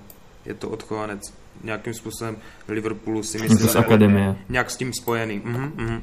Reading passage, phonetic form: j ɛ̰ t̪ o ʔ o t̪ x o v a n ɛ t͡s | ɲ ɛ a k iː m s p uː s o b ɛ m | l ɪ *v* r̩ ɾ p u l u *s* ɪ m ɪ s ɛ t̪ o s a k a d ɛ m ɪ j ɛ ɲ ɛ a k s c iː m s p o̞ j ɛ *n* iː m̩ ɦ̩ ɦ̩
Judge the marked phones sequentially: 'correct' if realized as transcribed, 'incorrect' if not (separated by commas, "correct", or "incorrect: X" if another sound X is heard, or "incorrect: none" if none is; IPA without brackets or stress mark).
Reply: correct, correct, correct